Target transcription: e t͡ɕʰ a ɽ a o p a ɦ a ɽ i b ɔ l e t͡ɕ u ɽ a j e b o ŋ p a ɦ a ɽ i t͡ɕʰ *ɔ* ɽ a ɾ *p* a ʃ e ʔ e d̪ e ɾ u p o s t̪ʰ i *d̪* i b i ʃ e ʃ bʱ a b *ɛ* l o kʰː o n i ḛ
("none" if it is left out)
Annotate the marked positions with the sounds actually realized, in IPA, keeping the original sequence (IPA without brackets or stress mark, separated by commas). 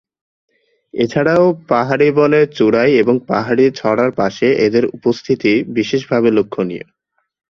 ɔ, p, t̪, e